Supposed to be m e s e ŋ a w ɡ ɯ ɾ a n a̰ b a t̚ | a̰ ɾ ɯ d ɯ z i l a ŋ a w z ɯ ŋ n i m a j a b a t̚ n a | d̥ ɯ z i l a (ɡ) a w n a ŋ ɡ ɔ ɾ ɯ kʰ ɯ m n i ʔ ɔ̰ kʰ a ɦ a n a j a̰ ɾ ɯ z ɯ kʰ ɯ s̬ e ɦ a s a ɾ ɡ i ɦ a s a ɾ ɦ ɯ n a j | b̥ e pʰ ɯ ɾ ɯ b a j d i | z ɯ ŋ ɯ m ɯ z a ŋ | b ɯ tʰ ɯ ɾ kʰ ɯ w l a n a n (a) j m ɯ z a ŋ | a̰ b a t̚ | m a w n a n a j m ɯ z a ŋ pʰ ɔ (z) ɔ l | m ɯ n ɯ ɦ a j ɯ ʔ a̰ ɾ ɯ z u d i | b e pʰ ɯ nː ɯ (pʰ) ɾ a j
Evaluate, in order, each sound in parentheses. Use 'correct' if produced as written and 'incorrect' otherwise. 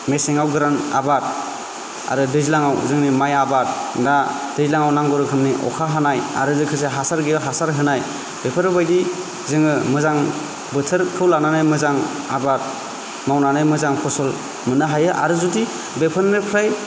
incorrect: ŋ, correct, incorrect: s, correct

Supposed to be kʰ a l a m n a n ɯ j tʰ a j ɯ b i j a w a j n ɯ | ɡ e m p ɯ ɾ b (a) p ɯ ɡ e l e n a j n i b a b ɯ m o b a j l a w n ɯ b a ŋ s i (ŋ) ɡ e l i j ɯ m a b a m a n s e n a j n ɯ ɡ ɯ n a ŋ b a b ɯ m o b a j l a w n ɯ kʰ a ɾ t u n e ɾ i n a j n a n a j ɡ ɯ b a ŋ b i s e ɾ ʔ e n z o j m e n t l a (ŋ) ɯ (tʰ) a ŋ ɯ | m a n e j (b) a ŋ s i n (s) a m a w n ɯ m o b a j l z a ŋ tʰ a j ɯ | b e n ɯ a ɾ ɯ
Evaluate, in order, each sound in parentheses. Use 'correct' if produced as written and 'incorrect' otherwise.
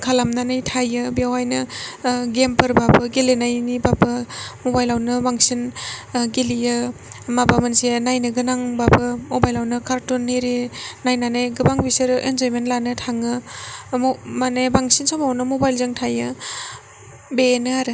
correct, incorrect: n, incorrect: n, correct, correct, correct

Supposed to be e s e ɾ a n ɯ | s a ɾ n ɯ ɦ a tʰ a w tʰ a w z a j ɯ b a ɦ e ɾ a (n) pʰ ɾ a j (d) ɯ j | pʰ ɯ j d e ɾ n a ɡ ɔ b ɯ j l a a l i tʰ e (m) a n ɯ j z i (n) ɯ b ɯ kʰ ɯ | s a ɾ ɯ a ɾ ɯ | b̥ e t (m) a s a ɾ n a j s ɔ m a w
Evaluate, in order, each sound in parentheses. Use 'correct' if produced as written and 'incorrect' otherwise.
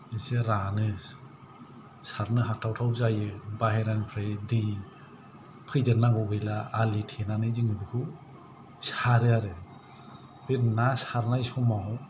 correct, correct, incorrect: n, incorrect: ŋ, incorrect: n

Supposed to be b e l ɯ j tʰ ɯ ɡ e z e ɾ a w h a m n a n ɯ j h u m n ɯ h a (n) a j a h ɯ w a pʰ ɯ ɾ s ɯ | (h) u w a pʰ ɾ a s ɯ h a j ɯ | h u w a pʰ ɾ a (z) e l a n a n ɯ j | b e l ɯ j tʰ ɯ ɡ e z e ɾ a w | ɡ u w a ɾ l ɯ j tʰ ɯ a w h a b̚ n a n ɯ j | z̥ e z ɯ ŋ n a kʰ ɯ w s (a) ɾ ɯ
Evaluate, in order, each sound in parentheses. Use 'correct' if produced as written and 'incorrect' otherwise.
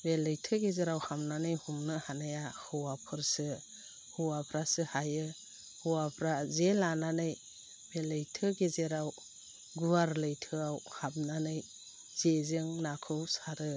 correct, correct, correct, correct

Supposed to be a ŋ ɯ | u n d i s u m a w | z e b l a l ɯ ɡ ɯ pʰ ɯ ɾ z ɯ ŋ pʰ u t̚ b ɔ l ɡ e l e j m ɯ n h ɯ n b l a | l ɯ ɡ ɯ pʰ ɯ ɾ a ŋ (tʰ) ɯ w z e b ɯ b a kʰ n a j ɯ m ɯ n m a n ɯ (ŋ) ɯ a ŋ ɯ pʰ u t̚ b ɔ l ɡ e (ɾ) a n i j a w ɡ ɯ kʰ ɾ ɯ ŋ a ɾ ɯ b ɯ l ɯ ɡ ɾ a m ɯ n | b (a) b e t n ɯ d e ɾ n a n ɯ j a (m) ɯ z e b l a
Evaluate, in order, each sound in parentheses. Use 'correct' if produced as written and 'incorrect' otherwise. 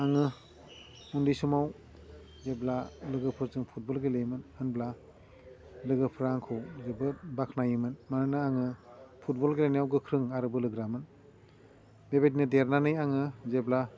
incorrect: kʰ, incorrect: n, incorrect: l, incorrect: e, incorrect: ŋ

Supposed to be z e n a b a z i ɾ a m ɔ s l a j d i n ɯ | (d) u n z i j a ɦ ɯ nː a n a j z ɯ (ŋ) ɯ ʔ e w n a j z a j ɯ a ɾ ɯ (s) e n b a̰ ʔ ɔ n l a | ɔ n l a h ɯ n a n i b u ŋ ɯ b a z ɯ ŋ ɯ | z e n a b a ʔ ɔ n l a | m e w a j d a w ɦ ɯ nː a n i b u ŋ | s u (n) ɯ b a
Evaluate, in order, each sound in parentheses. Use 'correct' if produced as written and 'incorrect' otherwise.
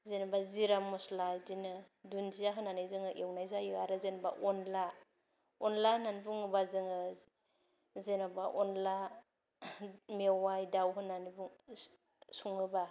correct, correct, incorrect: z, incorrect: ŋ

